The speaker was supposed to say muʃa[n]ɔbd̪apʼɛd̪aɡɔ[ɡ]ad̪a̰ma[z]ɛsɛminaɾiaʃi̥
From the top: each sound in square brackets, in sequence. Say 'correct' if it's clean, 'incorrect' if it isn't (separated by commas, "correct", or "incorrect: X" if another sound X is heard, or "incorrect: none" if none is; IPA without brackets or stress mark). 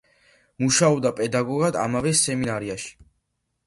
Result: incorrect: none, correct, incorrect: v